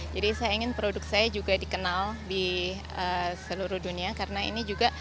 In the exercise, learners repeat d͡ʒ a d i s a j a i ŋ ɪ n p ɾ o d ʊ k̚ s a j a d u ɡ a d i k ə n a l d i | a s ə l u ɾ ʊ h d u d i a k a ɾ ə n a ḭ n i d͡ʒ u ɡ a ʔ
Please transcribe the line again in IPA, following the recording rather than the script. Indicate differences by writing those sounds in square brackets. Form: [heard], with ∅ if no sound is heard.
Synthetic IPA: d͡ʒ a d i s a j a i ŋ ɪ n p ɾ o d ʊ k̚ s a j a [d͡ʒ] u ɡ a d i k ə n a l d i | [ə] s ə l u ɾ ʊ h d u [n] i a k a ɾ ə n a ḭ n i d͡ʒ u ɡ a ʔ